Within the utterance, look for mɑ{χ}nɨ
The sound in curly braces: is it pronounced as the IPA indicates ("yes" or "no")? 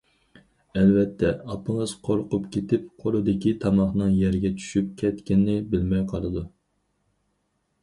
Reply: yes